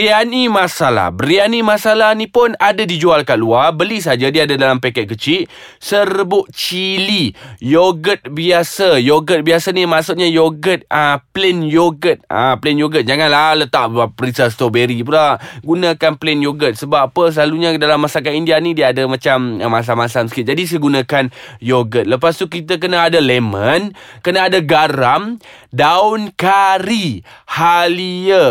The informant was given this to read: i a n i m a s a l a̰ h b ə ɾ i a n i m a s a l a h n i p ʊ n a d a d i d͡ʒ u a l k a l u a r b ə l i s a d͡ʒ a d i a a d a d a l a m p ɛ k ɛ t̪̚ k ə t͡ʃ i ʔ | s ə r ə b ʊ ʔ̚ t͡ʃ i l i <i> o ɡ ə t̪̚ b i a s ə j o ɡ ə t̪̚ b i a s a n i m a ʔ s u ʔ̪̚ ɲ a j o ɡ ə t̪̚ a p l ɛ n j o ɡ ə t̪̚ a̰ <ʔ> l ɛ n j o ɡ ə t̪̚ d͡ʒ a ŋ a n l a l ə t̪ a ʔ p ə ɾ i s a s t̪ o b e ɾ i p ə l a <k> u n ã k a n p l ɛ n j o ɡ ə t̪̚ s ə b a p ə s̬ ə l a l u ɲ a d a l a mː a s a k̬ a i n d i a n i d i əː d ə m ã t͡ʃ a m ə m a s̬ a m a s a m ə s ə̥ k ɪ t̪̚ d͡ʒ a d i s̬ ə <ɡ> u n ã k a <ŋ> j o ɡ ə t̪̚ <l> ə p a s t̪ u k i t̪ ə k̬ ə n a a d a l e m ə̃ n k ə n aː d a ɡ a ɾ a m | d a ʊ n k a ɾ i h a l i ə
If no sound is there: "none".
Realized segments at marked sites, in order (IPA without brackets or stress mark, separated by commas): j, p, ɡ, ɡ, n, l